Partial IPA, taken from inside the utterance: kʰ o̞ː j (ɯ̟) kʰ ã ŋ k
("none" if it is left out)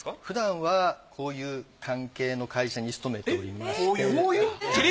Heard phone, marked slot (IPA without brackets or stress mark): ɯ̟ː